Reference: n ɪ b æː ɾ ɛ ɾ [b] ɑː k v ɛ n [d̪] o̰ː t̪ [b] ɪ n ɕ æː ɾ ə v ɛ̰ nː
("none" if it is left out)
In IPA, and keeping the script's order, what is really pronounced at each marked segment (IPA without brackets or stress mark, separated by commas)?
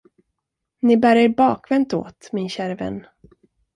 b, t̪, m